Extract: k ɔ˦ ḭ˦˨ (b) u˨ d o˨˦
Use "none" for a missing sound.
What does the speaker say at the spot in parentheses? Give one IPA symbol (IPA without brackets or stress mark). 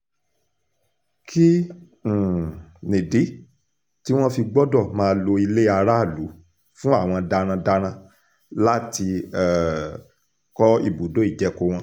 b